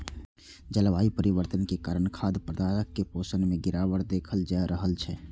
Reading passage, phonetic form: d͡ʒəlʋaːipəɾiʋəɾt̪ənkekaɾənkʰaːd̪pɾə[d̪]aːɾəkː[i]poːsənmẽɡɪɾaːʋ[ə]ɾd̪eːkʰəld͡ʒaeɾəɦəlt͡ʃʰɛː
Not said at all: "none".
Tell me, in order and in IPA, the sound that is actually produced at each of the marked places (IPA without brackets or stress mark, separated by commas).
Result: d̪, e, ə